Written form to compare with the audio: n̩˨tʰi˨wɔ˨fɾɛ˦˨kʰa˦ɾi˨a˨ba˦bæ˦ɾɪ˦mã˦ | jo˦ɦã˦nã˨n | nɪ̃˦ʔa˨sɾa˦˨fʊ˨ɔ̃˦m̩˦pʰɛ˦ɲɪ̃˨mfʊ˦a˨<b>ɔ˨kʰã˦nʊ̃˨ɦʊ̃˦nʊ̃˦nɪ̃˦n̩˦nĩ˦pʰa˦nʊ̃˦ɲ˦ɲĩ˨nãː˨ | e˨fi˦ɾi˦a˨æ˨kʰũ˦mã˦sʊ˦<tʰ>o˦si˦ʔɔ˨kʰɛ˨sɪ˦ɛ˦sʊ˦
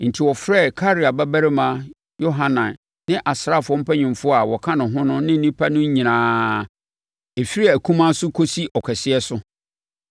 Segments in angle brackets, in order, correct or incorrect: incorrect, incorrect

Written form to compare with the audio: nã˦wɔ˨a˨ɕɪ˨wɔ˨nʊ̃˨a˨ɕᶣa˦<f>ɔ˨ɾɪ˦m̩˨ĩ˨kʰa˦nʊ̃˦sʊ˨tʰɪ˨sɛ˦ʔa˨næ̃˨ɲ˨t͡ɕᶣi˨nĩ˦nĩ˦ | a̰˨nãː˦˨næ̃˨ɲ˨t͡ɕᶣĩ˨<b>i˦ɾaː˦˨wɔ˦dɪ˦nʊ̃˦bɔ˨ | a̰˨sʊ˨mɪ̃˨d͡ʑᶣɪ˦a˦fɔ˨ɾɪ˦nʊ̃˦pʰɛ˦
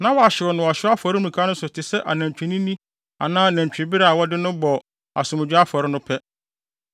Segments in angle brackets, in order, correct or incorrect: correct, correct

